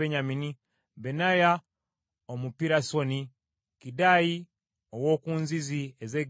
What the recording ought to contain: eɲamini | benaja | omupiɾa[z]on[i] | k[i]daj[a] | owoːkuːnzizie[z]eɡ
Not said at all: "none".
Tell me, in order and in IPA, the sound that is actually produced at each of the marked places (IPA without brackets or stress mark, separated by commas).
s, i, i, i, z